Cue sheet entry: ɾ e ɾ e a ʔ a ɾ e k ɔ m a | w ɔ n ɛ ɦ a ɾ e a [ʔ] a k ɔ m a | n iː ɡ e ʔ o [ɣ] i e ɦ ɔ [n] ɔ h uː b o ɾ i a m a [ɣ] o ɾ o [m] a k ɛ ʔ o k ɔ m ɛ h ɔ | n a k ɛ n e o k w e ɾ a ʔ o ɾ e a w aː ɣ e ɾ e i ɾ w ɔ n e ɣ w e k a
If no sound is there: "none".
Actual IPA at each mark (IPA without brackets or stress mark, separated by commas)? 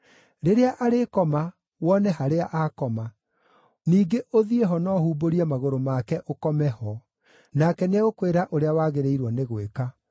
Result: ʔ, ð, n, ɣ, m